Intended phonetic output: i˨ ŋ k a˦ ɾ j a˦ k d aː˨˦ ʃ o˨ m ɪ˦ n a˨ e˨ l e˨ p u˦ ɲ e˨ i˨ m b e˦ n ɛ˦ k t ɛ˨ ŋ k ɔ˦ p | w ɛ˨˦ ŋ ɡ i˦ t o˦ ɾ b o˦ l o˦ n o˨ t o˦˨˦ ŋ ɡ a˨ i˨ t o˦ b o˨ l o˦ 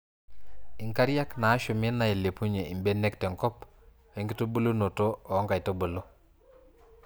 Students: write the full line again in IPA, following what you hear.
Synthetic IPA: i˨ ŋ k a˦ ɾ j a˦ k n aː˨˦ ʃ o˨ m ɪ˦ n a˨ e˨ l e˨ p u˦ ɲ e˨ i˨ m b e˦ n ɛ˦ k t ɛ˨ ŋ k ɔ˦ p | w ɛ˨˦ ŋ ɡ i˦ t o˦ b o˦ l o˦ n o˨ t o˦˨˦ ŋ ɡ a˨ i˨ t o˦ b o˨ l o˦